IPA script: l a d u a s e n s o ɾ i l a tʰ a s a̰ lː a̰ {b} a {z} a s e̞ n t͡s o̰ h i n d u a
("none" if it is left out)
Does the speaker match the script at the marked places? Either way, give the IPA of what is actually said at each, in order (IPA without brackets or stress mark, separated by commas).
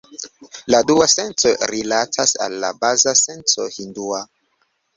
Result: b, z